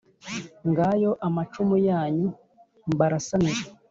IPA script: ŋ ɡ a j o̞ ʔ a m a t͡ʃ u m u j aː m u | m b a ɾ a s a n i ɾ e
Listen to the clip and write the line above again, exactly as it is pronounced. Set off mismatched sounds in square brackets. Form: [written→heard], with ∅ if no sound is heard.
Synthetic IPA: ŋ ɡ a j o̞ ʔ a m a t͡ʃ u m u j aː [m→ɲ] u | m b a ɾ a s a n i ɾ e